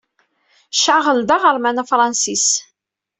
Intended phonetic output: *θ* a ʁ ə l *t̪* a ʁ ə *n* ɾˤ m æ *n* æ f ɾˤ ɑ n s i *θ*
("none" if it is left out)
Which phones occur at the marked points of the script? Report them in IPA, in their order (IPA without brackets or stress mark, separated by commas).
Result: ʃ, d̪, none, n, s